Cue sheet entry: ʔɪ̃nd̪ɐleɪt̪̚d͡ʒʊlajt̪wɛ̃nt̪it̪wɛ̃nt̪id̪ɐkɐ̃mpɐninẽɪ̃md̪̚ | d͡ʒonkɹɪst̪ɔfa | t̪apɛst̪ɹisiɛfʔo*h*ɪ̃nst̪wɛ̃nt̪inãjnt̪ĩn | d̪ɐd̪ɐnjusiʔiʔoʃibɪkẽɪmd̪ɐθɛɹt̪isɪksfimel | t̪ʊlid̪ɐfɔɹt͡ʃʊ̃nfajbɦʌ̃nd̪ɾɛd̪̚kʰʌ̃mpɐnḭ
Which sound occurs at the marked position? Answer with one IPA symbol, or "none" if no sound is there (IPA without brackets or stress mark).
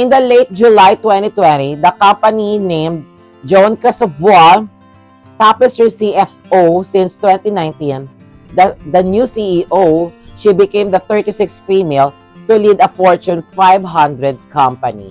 s